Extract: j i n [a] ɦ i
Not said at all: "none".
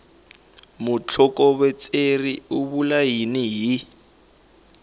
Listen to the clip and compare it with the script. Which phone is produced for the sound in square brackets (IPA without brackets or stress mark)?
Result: i